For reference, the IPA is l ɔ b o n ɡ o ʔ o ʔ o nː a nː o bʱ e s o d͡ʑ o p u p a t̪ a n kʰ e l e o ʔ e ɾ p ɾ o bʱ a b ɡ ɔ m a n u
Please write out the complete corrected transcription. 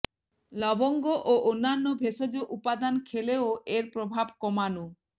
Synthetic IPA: l ɔ b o ŋ ɡ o ʔ o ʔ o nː a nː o bʱ e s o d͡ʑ o ʔ u p a d̪ a n kʰ e l e o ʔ e ɾ p ɾ o bʱ a b k ɔ m a n u